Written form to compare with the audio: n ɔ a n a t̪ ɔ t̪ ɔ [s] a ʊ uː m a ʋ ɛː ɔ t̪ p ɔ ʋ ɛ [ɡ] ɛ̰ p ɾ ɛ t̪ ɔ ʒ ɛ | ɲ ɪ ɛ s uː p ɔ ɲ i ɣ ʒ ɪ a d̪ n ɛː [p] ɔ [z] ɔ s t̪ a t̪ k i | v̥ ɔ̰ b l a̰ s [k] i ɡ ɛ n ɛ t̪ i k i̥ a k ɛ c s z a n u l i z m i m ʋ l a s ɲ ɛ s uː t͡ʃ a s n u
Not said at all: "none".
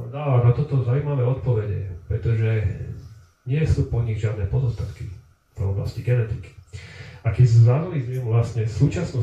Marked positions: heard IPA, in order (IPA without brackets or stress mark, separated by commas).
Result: z, ɟ, p, z, c